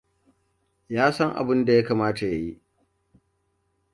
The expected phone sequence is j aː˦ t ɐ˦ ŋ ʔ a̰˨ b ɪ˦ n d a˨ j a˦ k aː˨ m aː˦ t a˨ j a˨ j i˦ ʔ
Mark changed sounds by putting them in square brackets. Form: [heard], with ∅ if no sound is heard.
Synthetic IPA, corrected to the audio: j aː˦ [s] ɐ˦ ŋ ʔ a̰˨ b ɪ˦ n d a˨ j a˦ k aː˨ m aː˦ t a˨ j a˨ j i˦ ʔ